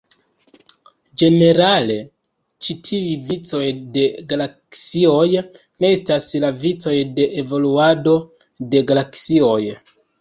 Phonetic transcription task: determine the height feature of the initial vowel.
mid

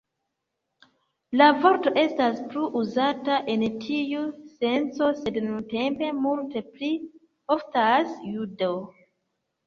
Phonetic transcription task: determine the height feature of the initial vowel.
low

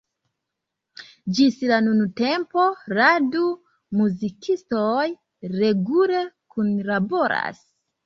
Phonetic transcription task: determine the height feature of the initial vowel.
high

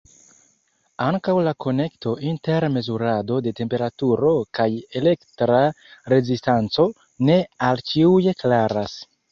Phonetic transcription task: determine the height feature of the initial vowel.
low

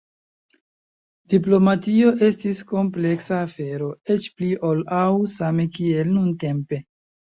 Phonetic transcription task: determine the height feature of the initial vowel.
high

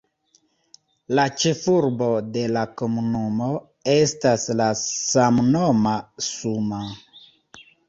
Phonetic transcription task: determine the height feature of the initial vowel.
low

